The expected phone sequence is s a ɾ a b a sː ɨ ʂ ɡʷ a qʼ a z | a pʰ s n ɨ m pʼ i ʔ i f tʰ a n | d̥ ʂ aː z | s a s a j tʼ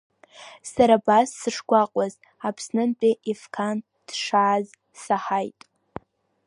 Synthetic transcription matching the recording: s a ɾ a b a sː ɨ ʂ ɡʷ a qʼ a z | a pʰ s n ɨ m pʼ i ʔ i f kʰ a n | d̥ ʂ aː z | s a ħ a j tʼ